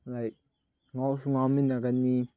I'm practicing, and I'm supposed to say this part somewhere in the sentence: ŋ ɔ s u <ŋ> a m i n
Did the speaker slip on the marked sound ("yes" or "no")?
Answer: no